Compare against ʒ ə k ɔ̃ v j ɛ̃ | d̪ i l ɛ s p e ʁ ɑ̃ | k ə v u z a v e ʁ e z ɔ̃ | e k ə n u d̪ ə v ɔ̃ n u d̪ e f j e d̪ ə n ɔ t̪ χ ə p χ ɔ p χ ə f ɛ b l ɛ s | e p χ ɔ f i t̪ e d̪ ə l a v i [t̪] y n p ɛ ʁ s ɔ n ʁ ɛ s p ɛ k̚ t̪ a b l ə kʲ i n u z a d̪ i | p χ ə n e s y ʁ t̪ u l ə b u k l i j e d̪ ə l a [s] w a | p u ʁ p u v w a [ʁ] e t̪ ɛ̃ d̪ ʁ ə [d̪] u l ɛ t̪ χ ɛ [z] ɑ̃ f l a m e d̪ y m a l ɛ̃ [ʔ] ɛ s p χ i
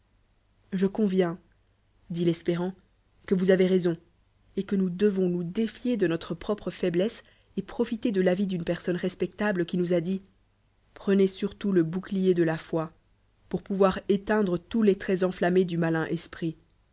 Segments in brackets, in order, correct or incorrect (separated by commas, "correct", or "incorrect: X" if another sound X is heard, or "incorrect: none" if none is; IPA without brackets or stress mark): incorrect: d̪, incorrect: f, correct, incorrect: t̪, correct, correct